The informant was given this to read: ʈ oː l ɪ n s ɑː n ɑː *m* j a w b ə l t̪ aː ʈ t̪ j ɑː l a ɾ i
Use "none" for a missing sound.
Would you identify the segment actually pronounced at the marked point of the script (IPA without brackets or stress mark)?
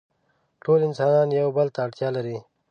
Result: n